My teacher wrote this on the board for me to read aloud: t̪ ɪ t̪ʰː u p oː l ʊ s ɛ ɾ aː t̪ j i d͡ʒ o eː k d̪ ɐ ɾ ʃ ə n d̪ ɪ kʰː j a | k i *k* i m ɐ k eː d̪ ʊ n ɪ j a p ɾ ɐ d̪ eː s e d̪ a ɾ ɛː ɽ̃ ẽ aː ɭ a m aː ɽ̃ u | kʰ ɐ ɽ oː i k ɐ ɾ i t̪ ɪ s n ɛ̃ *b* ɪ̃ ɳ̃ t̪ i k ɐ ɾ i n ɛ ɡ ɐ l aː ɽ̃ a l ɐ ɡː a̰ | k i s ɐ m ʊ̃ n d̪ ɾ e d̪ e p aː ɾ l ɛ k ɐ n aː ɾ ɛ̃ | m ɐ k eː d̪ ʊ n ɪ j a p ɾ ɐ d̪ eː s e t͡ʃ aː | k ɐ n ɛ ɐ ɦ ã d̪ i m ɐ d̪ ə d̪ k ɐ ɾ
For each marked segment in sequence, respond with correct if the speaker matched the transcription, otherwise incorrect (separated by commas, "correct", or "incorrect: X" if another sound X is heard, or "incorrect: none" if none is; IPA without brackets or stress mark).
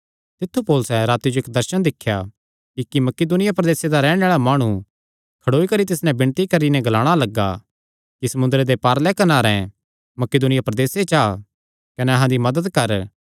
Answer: correct, correct